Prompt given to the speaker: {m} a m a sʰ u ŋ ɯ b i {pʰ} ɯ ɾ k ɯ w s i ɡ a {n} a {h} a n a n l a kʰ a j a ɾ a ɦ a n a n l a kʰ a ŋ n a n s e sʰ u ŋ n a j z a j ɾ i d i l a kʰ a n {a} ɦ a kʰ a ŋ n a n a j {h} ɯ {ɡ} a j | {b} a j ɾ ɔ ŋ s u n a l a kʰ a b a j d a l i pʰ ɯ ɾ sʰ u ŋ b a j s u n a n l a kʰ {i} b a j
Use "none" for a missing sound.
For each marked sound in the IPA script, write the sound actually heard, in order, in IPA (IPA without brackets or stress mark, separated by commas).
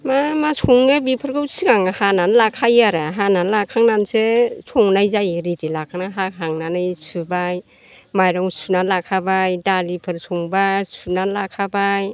m, pʰ, ŋ, h, a, s, b, m, a